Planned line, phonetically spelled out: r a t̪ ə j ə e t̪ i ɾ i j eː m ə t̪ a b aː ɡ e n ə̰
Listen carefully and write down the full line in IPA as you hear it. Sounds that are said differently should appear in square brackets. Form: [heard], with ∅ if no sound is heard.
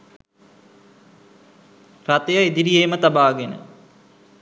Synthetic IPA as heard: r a t̪ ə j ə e [d̪] i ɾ i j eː m ə t̪ a b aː ɡ e n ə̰